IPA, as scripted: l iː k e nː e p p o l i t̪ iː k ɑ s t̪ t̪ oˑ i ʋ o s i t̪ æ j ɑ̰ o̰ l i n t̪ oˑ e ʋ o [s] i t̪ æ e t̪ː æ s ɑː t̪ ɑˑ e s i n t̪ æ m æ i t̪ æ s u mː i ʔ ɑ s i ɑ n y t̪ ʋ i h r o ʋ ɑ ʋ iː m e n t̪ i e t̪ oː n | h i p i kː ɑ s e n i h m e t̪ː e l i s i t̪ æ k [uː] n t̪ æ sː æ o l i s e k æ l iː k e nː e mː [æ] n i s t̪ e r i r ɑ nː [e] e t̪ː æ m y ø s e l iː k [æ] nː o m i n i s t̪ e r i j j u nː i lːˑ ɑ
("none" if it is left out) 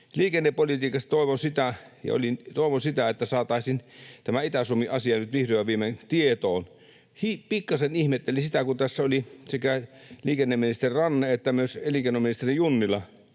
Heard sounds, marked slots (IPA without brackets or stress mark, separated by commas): s, u, i, e, e